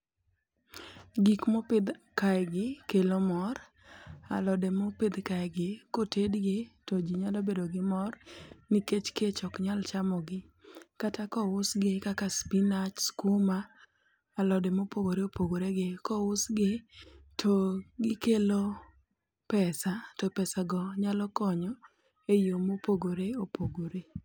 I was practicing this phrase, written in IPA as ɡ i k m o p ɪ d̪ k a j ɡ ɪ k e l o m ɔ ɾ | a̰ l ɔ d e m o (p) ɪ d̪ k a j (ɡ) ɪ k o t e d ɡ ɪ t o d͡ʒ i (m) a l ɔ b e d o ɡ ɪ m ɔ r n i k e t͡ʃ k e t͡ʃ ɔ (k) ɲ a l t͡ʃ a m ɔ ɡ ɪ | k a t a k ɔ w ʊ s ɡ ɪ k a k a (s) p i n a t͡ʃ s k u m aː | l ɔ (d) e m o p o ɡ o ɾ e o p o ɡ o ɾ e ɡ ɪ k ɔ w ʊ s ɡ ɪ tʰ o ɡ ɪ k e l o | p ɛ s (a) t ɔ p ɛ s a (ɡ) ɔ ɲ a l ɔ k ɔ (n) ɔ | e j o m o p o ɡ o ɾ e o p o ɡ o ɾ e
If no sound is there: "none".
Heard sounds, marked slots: p, ɡ, ɲ, k, s, d, a, ɡ, ɲ

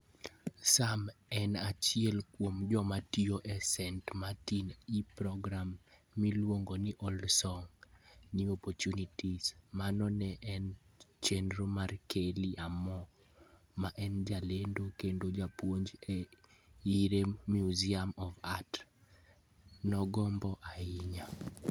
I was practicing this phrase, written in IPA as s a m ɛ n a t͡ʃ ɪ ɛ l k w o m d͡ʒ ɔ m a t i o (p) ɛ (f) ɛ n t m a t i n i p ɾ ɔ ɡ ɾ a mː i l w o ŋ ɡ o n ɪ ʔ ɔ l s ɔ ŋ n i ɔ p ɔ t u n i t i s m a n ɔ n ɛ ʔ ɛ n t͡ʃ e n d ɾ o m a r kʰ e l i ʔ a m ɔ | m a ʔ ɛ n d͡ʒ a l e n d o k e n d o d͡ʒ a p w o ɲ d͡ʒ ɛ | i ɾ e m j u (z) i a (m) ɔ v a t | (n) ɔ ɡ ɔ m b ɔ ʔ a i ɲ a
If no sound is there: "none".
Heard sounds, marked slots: ʔ, s, z, m, n

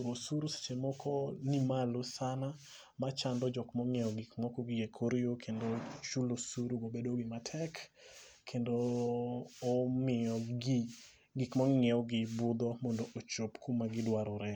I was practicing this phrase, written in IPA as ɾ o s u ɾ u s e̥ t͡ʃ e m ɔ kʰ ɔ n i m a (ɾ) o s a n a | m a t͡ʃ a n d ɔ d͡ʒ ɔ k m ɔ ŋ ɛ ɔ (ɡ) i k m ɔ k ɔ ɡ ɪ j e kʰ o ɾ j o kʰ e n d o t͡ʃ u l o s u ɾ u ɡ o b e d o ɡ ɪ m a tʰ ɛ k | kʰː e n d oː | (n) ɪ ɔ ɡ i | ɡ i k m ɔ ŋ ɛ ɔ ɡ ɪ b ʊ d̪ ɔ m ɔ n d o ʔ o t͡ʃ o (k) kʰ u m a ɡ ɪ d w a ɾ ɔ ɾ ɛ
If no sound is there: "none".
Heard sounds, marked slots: l, ɡ, m, p

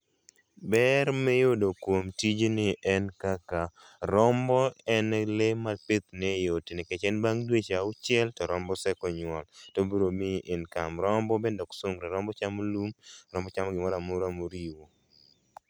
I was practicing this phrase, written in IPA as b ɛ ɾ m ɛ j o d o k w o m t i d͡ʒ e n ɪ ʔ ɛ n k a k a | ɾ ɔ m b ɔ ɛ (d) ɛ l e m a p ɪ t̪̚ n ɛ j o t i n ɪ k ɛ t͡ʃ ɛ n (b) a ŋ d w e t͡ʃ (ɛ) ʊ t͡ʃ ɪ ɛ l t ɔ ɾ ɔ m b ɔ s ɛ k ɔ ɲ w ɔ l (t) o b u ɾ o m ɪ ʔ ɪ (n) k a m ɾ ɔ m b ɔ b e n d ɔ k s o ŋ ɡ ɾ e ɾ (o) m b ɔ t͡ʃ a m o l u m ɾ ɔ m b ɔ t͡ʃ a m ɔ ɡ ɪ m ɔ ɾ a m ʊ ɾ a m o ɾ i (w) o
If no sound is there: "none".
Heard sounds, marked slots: n, b, a, t, n, ɔ, w

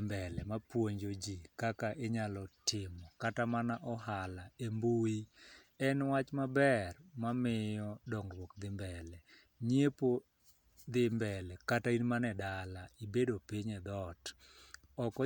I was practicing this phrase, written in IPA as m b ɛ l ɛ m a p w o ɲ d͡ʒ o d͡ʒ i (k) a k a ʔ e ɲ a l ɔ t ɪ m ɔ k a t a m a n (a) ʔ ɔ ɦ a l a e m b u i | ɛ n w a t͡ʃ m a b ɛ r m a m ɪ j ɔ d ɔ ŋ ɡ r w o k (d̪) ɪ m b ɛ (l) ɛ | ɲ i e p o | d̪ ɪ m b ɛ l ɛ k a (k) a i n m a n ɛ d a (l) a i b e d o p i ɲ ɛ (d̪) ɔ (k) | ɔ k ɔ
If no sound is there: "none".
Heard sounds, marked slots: k, a, d̪, l, t, l, d̪, t

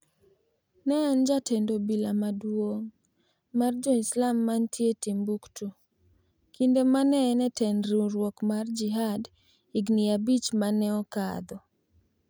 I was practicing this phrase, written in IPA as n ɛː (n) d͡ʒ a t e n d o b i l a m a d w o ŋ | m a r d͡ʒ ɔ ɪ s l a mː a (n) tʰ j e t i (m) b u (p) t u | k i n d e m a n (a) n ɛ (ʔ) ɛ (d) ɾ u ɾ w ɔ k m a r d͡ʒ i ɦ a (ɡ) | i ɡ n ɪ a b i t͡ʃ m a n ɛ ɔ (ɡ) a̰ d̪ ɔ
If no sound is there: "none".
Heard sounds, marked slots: n, n, m, k, ɛ, t, n, d, k

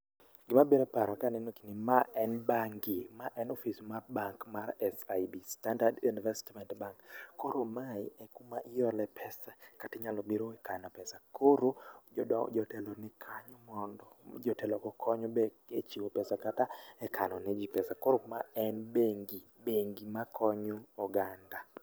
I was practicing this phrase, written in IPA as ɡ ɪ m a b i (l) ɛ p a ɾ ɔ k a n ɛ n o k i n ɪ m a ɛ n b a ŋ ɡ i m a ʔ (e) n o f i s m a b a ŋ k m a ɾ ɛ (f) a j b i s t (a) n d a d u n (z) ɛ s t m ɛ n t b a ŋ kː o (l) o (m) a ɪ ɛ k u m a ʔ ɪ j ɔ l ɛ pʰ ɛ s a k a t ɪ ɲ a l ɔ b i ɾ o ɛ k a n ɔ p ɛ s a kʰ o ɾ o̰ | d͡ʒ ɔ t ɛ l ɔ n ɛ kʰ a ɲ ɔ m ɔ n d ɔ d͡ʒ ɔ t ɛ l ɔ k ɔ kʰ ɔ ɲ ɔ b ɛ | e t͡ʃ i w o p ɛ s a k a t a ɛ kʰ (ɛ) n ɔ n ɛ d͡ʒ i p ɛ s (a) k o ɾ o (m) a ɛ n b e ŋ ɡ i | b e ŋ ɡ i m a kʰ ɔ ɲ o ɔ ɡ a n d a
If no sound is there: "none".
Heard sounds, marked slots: ɾ, ɛ, s, a, v, ɾ, m, a, a, m

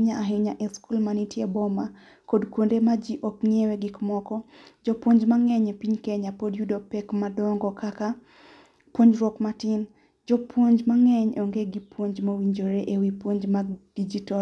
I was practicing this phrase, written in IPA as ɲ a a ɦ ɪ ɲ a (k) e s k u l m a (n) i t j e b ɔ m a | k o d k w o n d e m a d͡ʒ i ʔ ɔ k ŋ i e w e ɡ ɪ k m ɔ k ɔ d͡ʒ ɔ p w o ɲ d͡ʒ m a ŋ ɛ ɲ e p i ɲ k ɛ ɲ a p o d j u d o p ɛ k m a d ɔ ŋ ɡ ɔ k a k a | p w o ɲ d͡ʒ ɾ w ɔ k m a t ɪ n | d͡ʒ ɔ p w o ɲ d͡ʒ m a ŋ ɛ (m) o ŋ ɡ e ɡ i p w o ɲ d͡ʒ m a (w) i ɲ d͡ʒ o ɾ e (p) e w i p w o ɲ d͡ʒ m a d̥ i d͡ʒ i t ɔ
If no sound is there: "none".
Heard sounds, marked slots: ʔ, n, ɲ, w, ʔ

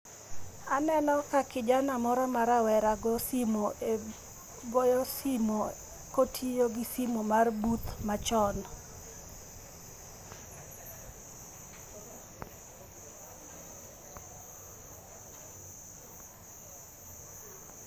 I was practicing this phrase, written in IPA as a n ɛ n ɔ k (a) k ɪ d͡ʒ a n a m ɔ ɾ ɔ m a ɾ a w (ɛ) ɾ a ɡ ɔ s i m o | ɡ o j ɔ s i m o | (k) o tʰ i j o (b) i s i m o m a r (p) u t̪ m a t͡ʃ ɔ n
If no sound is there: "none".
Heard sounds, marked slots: a, ɛ, k, ɡ, b

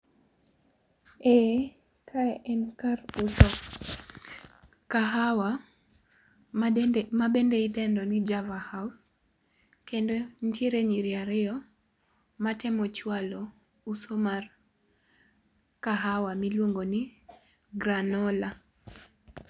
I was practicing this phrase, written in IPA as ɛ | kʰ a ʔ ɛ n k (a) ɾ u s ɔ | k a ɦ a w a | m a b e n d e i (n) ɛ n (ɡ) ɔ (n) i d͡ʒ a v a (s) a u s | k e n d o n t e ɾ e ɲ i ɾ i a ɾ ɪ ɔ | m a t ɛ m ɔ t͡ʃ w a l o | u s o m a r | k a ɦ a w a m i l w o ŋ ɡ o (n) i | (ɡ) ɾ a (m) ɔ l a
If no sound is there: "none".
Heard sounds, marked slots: a, d, d, n, h, n, ɡ, n

